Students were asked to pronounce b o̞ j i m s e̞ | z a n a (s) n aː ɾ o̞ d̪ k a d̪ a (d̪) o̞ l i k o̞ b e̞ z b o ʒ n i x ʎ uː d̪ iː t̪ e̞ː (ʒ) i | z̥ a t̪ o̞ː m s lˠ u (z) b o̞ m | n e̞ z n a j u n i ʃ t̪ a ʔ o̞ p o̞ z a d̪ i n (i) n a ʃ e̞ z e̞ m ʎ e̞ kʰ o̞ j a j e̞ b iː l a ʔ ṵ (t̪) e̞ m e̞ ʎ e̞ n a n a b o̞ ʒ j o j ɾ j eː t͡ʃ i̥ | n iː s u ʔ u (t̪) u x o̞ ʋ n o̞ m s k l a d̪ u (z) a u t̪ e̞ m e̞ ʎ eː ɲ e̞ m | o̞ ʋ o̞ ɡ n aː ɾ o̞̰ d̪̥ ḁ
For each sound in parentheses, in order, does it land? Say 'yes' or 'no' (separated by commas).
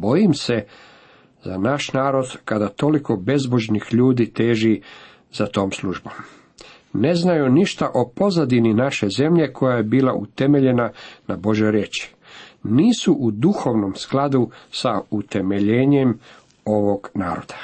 no, no, yes, no, yes, yes, no, no